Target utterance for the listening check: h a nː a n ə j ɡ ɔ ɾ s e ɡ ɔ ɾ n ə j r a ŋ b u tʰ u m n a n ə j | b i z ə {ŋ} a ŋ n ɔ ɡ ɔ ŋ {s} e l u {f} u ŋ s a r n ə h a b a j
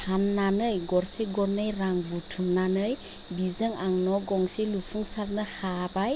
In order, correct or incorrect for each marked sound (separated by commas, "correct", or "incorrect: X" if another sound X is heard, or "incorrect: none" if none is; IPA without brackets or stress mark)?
correct, correct, correct